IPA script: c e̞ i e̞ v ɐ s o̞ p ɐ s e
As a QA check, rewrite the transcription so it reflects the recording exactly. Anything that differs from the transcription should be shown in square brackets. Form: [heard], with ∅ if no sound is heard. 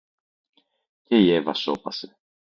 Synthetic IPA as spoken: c e̞ i e̞ v ɐ s o̞ p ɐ s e